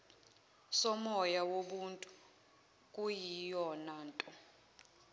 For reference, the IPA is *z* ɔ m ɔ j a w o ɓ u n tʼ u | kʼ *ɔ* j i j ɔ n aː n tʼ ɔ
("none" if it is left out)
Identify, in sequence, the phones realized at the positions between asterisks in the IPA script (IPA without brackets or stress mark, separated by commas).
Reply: s, u